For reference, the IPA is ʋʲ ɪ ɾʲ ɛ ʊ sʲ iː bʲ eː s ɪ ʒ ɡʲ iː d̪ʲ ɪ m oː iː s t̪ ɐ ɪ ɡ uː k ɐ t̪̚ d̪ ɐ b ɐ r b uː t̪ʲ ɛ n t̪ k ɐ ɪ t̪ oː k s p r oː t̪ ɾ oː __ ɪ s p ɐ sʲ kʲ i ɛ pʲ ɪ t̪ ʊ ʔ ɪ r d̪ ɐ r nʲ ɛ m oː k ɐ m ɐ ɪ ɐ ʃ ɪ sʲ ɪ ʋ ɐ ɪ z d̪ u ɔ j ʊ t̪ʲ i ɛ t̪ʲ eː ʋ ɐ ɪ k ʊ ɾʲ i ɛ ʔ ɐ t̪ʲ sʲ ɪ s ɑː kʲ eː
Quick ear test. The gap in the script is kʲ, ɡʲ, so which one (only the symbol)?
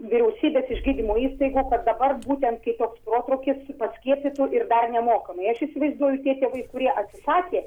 kʲ